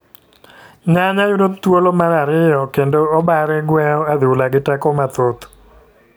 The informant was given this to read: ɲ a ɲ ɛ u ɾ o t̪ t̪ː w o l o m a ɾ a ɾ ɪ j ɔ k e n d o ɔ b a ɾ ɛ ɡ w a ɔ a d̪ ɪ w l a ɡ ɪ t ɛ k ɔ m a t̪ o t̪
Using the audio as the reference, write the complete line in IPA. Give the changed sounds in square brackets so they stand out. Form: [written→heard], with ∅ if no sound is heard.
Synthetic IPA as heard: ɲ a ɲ [ɛ→a] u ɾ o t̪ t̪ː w o l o m a ɾ a ɾ ɪ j ɔ k e n d o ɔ b a ɾ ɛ ɡ w [a→ɛ] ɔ a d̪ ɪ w l a ɡ ɪ t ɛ k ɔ m a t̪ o t̪